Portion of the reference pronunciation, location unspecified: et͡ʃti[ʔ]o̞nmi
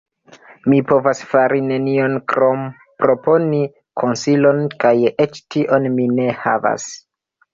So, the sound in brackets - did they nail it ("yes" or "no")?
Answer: yes